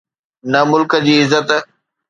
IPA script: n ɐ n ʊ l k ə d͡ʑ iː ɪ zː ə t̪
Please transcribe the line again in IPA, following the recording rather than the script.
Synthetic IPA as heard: n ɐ m ʊ l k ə d͡ʑ iː ɪ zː ə t̪